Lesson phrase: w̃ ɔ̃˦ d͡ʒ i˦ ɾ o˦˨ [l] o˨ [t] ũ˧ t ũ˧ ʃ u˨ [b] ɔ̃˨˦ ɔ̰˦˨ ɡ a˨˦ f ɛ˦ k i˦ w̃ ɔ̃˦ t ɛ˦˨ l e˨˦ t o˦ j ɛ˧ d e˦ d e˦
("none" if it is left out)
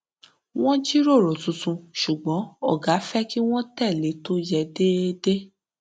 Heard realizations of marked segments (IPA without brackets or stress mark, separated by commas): ɾ, t, ɡ͡b